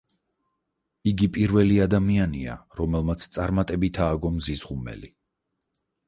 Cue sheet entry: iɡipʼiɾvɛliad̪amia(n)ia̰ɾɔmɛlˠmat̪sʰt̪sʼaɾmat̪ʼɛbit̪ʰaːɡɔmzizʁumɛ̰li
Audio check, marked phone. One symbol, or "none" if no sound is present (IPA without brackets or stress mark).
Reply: n